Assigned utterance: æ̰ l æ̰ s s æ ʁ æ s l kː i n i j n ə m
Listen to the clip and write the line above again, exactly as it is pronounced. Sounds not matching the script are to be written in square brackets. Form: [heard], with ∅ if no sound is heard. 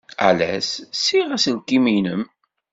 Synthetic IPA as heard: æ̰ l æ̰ s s [i] ʁ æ s l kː i [m] i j n ə m